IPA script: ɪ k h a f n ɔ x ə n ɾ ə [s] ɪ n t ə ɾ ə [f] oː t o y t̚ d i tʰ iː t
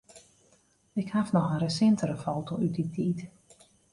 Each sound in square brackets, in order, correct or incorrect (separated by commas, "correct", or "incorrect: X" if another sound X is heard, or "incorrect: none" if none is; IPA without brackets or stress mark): correct, correct